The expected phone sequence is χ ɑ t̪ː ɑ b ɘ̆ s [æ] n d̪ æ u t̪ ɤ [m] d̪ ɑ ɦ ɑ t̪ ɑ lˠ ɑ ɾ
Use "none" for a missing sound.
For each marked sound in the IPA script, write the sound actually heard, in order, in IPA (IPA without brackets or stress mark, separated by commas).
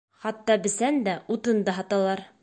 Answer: æ, n